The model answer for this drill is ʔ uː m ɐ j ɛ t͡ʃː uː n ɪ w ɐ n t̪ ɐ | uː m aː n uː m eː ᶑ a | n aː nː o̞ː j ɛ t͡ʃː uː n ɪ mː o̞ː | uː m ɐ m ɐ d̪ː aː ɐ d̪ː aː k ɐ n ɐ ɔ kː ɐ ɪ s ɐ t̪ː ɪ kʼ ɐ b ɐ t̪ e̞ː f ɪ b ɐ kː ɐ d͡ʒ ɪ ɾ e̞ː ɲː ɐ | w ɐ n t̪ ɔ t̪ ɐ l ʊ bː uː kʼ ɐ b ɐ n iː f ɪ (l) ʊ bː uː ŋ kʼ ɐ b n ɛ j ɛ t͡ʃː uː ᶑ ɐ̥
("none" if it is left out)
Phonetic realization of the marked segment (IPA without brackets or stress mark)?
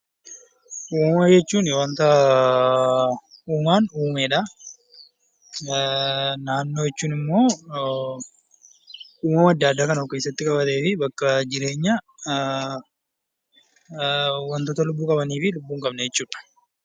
l